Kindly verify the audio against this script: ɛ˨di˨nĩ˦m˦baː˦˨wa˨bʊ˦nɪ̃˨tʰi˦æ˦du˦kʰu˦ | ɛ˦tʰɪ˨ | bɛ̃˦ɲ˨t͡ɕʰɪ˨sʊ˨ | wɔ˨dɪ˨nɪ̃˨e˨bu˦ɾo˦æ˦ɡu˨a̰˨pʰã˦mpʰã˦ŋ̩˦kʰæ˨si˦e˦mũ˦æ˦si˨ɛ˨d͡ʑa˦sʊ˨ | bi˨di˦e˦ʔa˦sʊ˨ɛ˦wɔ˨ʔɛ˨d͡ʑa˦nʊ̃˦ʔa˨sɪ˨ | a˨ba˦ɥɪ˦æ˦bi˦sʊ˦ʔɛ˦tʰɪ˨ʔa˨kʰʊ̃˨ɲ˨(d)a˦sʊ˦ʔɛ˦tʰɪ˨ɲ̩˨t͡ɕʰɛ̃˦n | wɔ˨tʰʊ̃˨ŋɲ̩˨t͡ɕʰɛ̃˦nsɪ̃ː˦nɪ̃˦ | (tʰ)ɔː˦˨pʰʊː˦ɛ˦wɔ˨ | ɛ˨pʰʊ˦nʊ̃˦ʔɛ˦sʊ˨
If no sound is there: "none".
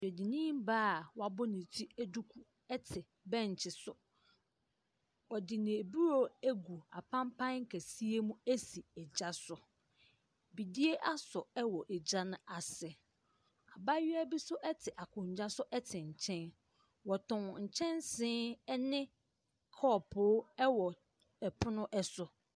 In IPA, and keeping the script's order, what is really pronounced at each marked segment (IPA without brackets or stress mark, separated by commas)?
d͡ʑ, kʰ